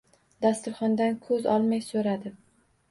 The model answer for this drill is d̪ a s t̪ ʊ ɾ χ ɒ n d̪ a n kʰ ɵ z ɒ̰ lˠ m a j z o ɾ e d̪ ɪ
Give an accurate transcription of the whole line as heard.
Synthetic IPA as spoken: d̪ a s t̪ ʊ ɾ χ ɒ n d̪ a n kʰ ɵ z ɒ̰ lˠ m a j s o ɾ a d̪ ɪ